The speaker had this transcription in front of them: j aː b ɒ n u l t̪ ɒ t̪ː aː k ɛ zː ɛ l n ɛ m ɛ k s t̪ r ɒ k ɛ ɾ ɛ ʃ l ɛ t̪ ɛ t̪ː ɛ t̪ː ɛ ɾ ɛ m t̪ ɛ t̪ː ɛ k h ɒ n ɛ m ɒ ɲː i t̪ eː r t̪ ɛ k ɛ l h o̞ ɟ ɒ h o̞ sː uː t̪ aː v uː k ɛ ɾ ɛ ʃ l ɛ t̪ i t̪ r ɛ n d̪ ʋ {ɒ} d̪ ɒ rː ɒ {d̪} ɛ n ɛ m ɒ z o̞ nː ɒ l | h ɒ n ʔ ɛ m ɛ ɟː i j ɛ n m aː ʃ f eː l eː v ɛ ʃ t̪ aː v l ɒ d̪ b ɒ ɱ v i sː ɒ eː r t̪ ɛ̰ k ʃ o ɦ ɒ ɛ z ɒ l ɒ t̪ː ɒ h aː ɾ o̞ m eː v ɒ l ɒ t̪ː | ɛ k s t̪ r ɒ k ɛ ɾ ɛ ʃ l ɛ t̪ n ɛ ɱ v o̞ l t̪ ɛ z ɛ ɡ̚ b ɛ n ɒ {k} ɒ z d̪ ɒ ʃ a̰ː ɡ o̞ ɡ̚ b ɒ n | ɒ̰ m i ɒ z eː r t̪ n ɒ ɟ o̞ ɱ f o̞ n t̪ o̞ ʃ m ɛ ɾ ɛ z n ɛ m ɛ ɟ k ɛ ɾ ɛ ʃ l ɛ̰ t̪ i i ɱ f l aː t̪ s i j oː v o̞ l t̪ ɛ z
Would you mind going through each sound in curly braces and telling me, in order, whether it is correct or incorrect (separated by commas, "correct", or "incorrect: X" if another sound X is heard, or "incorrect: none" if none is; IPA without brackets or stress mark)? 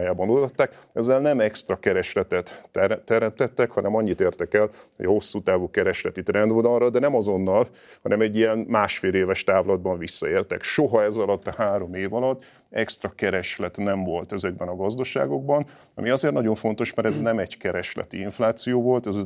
incorrect: o, correct, incorrect: ɡ